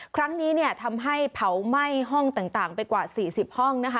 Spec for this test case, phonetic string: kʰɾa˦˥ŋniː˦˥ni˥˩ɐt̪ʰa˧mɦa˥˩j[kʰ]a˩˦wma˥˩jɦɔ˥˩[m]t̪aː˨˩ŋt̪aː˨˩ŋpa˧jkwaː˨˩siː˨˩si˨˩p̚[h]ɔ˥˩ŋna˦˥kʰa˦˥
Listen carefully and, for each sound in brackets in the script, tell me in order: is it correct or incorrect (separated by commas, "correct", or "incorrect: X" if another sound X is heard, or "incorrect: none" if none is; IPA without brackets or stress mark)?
incorrect: pʰ, incorrect: ŋ, correct